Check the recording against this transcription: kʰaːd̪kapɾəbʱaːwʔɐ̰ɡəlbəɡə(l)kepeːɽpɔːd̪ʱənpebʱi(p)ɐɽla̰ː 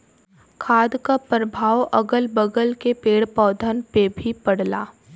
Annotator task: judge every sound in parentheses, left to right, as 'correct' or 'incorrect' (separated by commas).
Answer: correct, correct